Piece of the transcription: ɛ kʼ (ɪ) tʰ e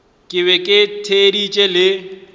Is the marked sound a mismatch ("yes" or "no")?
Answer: no